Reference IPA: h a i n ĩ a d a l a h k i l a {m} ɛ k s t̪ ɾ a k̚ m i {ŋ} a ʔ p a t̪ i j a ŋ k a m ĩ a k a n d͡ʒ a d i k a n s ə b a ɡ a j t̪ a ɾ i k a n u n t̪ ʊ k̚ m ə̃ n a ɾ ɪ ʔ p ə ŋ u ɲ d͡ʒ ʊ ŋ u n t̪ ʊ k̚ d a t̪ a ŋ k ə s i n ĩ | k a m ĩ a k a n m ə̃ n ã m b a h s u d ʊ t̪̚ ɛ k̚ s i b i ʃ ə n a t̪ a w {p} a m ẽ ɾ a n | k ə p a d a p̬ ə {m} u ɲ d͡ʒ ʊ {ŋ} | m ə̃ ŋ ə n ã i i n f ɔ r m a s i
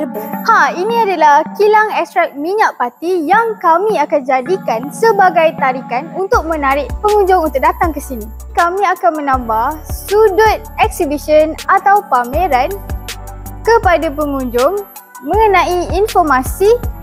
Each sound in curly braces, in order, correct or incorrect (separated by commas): incorrect, incorrect, correct, incorrect, correct